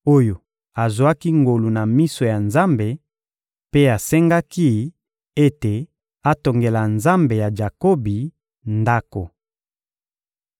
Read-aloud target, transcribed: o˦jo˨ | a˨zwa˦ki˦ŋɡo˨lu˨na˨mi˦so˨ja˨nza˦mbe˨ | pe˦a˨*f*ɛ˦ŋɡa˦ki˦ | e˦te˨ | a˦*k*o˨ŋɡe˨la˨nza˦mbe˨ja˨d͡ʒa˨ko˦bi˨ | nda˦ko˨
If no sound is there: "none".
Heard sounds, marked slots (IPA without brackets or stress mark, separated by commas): s, t